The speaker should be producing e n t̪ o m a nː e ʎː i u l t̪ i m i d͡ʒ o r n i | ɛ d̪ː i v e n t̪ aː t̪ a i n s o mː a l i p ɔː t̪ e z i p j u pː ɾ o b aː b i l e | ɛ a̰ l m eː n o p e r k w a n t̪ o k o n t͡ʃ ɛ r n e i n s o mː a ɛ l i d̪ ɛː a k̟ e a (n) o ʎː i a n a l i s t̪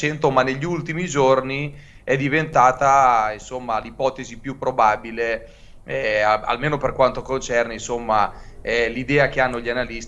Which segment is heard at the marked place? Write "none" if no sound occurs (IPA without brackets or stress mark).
nː